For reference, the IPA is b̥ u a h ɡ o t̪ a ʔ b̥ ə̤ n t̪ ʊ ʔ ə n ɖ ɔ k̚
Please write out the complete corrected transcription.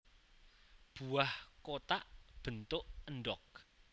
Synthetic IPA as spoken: b̥ u a h k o t̪ a ʔ b̥ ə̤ n t̪ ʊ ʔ ə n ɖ ɔ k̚